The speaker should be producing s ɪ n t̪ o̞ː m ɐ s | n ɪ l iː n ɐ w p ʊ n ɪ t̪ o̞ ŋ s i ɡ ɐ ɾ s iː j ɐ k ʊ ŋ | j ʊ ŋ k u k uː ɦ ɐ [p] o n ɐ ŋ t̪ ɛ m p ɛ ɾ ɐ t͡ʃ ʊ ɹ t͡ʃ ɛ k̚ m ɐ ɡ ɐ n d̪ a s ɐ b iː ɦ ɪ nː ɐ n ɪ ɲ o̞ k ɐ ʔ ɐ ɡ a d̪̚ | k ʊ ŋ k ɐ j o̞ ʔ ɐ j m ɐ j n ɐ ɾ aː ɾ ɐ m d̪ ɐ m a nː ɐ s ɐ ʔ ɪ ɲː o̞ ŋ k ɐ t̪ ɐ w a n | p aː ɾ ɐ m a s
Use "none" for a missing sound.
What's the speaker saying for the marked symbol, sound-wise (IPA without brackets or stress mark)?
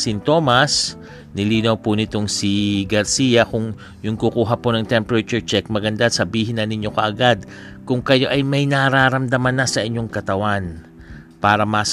p